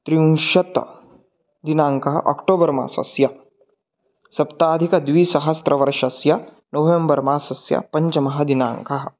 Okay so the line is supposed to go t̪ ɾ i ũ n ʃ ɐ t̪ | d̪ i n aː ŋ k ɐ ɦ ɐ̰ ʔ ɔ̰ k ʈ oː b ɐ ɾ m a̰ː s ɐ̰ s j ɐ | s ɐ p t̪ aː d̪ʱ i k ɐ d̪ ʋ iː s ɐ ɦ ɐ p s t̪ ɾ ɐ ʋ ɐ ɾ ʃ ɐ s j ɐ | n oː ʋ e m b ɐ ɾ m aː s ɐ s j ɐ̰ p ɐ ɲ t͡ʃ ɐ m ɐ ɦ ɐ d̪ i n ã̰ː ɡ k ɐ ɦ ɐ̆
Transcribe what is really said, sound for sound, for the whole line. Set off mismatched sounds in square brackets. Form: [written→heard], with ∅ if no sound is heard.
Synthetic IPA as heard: t̪ ɾ i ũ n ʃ ɐ t̪ | d̪ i n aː ŋ k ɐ ɦ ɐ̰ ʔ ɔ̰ k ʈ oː b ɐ ɾ m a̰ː s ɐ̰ s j ɐ | s ɐ p t̪ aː d̪ʱ i k ɐ d̪ ʋ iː s ɐ ɦ ɐ [p→∅] s t̪ ɾ ɐ ʋ ɐ ɾ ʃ ɐ s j ɐ | n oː ʋ e m b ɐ ɾ m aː s ɐ s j ɐ̰ p ɐ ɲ t͡ʃ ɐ m ɐ ɦ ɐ d̪ i n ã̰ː [ɡ→ŋ] k ɐ ɦ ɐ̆